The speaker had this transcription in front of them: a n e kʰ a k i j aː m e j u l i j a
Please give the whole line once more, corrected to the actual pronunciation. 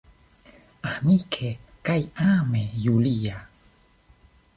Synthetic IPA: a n i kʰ e k a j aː m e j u l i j a